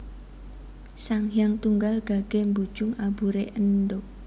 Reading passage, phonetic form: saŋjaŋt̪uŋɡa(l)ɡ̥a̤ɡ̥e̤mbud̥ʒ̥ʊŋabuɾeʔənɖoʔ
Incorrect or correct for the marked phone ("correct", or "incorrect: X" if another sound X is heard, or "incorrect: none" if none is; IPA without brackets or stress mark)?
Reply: correct